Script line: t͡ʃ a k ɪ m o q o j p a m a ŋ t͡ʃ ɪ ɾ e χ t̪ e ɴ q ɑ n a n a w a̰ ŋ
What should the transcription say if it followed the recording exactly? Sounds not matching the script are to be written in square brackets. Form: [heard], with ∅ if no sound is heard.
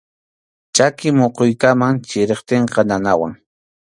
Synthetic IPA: t͡ʃ a k ɪ m o q o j [k] a m a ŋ t͡ʃ ɪ ɾ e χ t̪ e ɴ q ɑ n a n a w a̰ ŋ